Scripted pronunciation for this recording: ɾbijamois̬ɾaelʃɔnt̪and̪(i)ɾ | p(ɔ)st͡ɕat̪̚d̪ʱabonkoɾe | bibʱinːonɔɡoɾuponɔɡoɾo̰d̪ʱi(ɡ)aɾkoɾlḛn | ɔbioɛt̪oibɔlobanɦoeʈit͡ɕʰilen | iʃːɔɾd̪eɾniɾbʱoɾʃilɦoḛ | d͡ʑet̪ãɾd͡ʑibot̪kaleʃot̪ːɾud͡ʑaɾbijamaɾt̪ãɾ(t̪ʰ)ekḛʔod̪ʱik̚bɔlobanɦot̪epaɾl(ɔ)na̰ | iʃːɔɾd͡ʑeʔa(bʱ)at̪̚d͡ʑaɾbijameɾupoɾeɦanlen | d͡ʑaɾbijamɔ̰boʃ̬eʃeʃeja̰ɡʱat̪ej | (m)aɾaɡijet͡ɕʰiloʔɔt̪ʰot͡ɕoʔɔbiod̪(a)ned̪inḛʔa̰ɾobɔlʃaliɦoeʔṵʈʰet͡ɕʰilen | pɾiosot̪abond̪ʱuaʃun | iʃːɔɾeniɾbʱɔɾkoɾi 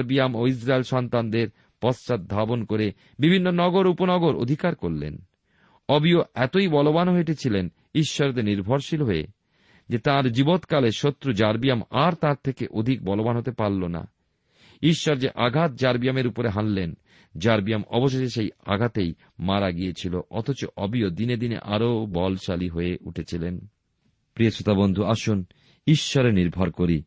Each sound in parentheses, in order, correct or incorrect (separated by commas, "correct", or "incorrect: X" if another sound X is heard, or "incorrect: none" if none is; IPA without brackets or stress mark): incorrect: e, correct, incorrect: k, correct, incorrect: o, incorrect: ɡʱ, correct, incorrect: i